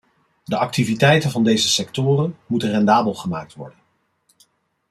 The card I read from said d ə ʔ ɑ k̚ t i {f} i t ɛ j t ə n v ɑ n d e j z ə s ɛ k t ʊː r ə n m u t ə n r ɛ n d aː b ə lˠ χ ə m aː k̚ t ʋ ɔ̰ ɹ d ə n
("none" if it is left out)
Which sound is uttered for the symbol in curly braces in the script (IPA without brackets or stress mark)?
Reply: v